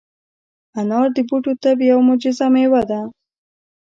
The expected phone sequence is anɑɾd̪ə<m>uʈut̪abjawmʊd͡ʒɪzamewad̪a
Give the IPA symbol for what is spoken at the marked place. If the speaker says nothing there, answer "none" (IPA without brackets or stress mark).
b